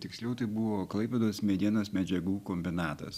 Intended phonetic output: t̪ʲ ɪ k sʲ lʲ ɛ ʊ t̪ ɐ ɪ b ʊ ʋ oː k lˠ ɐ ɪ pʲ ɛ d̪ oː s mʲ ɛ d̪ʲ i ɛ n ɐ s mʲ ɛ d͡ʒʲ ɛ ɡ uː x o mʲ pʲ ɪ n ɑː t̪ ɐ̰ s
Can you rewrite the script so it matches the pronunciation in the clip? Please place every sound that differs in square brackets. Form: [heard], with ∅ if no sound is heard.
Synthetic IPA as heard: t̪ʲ ɪ k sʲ lʲ ɛ ʊ t̪ ɐ ɪ b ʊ ʋ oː k lˠ ɐ ɪ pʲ ɛ d̪ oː s mʲ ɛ d̪ʲ i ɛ n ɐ s mʲ ɛ d͡ʒʲ ɛ ɡ uː [k] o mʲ [bʲ] ɪ n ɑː t̪ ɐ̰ s